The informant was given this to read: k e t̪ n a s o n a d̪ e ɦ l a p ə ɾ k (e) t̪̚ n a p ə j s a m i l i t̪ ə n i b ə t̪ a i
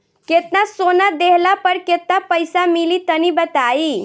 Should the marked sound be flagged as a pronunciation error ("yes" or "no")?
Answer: no